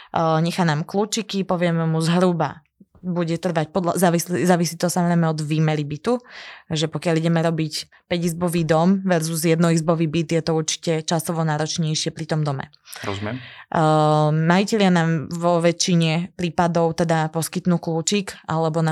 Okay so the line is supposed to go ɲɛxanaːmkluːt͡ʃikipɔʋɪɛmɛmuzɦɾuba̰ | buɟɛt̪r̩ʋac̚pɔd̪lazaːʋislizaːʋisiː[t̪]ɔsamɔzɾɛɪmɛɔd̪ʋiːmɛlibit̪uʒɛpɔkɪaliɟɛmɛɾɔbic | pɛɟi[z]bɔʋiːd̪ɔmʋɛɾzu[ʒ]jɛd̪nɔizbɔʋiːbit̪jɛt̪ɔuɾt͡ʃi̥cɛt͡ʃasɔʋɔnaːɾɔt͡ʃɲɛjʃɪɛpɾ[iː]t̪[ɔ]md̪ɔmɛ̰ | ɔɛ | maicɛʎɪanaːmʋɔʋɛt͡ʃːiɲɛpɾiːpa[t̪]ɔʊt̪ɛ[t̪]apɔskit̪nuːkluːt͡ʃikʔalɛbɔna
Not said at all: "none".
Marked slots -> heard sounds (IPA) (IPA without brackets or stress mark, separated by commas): t̪, z, z, i, ɔ, d̪, d̪